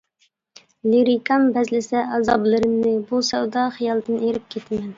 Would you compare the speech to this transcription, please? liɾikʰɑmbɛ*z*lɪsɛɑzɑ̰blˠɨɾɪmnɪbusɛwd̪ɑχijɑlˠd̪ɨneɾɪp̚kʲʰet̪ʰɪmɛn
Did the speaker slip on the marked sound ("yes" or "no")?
no